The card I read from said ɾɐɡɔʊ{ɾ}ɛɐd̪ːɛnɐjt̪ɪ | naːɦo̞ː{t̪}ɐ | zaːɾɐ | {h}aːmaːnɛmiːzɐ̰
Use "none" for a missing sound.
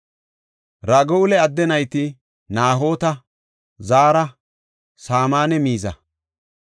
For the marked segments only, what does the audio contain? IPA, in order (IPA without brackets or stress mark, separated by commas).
l, t̪, s